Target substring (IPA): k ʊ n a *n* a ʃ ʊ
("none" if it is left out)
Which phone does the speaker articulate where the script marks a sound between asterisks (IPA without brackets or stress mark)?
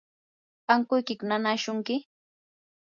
n